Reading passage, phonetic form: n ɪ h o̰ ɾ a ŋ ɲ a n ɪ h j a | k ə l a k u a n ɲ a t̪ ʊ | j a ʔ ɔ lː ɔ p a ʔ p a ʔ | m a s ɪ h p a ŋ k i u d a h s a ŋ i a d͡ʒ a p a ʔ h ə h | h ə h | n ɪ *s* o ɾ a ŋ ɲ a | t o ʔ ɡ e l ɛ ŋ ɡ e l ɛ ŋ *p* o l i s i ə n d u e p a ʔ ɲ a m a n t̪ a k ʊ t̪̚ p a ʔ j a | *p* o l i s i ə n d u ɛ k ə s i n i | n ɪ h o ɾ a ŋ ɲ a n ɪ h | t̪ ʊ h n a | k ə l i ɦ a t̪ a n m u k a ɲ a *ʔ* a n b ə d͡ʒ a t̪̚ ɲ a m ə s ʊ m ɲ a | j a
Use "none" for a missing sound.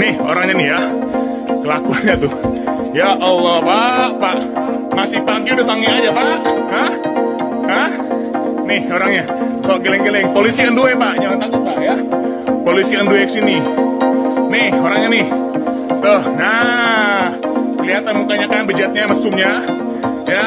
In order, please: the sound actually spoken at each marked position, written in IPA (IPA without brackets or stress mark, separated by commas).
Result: h, p, p, k